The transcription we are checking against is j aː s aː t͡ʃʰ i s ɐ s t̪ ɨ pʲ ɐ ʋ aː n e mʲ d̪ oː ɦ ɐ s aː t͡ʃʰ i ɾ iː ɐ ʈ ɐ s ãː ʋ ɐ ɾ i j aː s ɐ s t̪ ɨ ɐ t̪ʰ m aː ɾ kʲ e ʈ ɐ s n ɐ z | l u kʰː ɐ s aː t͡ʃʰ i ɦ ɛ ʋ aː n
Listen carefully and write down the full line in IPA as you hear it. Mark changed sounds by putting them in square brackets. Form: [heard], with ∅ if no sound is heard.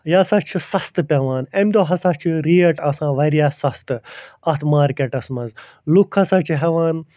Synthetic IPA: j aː s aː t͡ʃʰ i s ɐ s t̪ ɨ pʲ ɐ ʋ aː n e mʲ d̪ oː ɦ ɐ s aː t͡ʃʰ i ɾ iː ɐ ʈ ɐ s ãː ʋ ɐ ɾ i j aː s ɐ s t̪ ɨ ɐ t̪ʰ m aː ɾ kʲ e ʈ ɐ s [m] ɐ z | l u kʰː ɐ s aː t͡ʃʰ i ɦ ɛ ʋ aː n